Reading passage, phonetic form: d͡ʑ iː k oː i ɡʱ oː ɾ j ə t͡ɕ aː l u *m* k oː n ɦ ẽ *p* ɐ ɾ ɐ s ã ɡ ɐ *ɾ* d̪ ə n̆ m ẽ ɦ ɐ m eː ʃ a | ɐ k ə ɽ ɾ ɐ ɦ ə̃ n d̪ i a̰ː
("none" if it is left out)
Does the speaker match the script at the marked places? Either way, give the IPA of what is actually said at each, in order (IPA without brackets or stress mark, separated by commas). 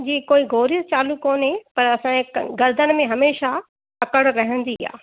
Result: none, p, ɾ